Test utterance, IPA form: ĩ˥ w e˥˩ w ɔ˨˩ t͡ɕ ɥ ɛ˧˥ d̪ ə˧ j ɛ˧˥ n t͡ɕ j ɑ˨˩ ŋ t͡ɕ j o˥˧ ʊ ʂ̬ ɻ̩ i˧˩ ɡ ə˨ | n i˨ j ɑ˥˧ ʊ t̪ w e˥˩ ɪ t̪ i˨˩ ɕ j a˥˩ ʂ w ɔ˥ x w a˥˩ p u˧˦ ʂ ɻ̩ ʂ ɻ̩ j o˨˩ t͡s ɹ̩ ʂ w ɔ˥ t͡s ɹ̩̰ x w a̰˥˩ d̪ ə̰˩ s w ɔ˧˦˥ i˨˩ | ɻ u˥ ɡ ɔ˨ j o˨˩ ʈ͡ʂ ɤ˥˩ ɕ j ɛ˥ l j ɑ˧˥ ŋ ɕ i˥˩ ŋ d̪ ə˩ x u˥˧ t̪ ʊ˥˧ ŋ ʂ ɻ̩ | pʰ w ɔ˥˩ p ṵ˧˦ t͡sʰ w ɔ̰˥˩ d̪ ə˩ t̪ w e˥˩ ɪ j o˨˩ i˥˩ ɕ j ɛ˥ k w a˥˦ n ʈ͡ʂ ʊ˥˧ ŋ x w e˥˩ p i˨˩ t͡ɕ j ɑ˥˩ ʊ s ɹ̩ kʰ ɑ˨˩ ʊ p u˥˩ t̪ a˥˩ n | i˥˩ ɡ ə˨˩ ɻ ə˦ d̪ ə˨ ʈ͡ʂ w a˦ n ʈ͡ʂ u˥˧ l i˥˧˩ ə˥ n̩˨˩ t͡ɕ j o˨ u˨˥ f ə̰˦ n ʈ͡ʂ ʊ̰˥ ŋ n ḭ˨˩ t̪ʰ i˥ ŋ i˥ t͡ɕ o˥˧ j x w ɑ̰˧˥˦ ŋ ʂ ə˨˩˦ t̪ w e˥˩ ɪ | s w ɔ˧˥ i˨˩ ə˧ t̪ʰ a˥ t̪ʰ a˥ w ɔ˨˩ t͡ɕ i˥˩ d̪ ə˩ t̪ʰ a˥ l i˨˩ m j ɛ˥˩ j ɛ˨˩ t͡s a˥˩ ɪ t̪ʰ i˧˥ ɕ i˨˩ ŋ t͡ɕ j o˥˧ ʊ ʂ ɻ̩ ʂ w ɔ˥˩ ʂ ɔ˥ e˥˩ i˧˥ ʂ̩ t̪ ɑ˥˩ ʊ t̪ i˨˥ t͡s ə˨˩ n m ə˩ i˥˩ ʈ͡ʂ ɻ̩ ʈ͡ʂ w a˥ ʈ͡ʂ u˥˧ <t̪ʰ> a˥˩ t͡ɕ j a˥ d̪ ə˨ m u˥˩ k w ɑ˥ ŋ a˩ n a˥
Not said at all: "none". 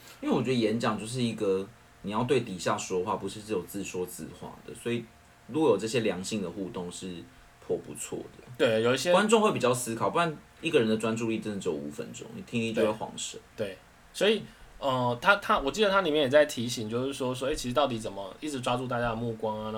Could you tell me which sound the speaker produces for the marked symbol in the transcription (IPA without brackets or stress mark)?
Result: t̪